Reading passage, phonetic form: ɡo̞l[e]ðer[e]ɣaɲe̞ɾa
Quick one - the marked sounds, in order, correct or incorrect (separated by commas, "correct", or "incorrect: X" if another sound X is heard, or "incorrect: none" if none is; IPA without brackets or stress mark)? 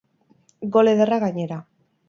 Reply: correct, incorrect: a